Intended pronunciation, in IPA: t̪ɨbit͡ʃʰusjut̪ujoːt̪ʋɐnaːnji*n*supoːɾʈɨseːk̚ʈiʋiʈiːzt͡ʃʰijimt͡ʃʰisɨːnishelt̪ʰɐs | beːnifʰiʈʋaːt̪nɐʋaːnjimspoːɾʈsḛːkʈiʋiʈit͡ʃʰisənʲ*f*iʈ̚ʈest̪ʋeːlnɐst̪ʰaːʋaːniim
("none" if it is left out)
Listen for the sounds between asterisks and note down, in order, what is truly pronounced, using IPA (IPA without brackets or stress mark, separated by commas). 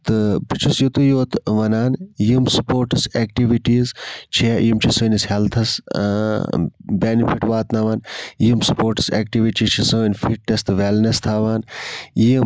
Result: m, f